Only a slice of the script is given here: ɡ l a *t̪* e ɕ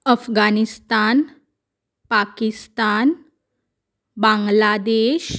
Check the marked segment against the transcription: incorrect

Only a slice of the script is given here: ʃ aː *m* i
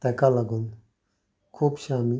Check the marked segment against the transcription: correct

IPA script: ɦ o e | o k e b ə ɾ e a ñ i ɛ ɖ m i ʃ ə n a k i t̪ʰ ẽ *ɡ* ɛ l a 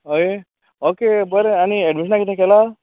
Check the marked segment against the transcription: incorrect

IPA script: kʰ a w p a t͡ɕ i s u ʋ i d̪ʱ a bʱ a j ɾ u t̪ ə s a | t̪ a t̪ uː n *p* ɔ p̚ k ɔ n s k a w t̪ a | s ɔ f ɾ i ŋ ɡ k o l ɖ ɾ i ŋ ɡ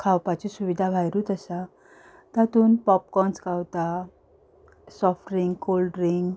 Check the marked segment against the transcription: correct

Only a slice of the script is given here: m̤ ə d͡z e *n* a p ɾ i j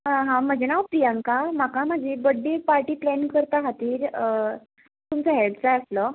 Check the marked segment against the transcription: correct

